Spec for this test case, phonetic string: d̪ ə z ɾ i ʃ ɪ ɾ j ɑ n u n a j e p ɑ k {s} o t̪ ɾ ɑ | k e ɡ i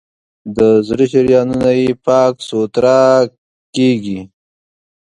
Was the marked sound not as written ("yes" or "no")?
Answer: no